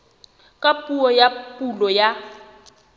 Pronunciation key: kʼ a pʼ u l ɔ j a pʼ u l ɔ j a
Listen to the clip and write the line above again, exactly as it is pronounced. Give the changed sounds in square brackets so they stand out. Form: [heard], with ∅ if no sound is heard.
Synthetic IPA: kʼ a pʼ u [∅] ɔ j a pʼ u l ɔ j a